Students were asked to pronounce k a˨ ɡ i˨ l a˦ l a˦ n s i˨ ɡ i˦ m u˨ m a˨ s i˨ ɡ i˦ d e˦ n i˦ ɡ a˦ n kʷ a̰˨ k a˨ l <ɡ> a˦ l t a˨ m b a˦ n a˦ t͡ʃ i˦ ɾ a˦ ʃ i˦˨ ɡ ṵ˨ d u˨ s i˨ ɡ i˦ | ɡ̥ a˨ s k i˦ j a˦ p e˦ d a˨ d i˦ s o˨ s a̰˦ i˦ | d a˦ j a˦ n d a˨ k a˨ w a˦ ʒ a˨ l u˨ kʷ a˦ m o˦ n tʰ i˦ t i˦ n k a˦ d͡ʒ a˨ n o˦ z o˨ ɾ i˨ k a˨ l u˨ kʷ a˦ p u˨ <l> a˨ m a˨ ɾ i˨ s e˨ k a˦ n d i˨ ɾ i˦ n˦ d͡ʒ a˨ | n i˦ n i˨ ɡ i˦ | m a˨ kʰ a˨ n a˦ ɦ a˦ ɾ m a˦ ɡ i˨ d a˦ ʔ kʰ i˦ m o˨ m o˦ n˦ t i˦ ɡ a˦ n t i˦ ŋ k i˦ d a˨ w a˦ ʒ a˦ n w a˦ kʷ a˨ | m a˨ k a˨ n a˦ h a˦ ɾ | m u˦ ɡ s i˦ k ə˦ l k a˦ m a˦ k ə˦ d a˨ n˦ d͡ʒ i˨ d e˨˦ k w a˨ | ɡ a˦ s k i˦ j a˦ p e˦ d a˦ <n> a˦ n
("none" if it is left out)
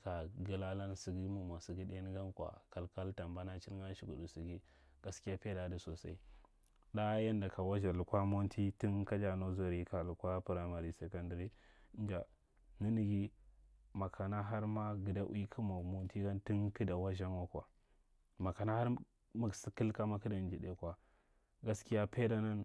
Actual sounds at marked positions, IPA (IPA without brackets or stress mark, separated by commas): k, ɾ, n